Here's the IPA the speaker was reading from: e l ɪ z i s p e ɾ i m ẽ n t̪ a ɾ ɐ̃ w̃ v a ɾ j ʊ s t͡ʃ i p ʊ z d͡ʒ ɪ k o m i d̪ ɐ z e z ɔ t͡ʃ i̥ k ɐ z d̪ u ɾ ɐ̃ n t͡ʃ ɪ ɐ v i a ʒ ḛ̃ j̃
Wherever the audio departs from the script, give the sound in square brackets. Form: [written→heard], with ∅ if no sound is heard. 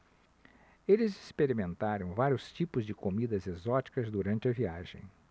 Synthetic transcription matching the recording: e l ɪ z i s p e ɾ i m ẽ n t̪ a ɾ ɐ̃ w̃ v a ɾ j ʊ s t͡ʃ i p ʊ z d͡ʒ ɪ k o m i d̪ ɐ z e z ɔ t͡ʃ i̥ k ɐ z d̪ u ɾ ɐ̃ n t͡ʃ ɪ ɐ v i a ʒ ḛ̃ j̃